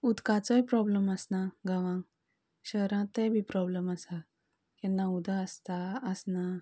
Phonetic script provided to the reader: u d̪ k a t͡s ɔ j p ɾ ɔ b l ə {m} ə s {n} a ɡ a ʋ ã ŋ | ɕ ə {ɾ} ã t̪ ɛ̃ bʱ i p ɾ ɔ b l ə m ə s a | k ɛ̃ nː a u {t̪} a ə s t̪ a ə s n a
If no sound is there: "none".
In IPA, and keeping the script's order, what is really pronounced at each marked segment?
m, n, ɾ, d̪

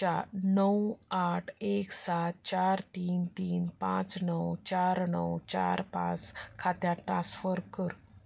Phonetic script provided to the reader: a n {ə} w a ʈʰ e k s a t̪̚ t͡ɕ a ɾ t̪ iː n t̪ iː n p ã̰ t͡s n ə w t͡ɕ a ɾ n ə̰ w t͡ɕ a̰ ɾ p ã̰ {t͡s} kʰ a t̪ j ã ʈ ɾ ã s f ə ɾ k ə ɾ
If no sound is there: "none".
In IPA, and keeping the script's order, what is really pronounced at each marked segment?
ə, t͡s

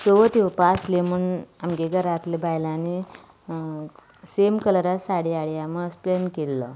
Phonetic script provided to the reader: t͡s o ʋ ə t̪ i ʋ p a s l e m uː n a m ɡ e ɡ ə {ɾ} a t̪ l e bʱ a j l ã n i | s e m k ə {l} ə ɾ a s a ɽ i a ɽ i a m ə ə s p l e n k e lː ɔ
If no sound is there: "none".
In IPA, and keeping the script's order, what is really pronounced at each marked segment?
ɾ, l

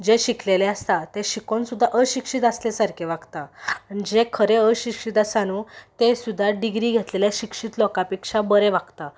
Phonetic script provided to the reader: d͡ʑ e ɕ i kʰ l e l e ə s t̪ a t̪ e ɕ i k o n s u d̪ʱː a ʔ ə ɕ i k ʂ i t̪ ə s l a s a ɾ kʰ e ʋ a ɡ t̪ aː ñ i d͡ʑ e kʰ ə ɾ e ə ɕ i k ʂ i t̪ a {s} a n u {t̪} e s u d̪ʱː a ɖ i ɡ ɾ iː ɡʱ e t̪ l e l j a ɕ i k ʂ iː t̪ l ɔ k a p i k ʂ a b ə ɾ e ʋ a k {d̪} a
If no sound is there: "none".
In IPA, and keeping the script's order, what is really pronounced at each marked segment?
s, t̪, t̪

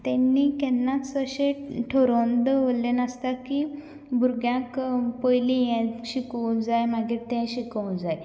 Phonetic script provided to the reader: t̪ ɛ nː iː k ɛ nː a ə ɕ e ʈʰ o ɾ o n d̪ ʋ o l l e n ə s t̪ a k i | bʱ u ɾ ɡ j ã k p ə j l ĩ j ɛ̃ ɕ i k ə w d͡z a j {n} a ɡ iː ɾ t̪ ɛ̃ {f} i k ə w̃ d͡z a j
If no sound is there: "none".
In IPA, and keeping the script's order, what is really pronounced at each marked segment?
m, ɕ

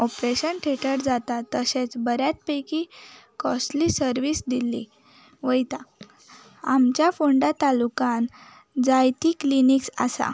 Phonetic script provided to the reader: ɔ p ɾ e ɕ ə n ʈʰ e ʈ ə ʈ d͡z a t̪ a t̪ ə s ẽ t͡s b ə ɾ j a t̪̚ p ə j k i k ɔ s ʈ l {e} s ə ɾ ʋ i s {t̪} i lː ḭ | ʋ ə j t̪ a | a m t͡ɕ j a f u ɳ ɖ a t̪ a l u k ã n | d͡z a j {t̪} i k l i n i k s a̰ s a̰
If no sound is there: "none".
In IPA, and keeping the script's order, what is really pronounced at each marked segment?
i, d̪, t̪

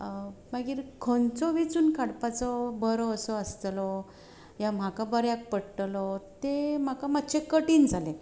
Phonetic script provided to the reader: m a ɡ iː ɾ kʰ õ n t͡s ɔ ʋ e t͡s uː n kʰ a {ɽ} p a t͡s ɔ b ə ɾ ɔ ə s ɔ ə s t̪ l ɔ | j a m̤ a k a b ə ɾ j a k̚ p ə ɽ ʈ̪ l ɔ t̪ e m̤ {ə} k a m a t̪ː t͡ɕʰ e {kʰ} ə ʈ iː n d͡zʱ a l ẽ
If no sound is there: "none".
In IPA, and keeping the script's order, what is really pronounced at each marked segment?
ɽ, a, k

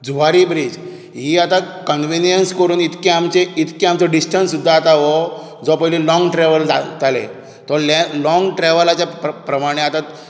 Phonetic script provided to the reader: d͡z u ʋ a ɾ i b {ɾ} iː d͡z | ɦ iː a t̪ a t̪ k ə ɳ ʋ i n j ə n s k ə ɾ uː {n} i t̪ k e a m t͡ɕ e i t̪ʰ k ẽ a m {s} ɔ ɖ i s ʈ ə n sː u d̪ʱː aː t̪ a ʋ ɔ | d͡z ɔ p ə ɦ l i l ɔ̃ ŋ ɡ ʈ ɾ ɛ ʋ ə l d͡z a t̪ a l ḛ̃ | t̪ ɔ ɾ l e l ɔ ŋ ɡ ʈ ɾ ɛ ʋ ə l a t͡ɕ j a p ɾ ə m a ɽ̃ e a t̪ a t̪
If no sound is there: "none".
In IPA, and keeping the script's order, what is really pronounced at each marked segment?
ɾ, n, t͡s

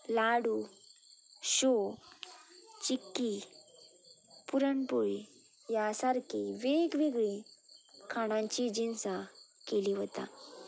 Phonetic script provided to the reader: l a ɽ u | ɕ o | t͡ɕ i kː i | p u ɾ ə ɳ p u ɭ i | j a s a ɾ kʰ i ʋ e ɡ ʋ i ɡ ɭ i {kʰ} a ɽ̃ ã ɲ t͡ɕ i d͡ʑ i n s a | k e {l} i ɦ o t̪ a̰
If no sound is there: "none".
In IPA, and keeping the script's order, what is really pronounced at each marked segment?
kʰ, l

